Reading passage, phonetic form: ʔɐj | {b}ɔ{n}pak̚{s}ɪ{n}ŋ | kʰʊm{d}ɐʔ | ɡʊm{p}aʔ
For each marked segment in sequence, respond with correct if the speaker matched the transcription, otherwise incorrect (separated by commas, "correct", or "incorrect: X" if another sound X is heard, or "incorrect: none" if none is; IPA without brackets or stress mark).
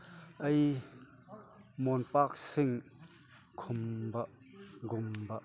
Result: incorrect: m, correct, correct, incorrect: none, incorrect: b, incorrect: b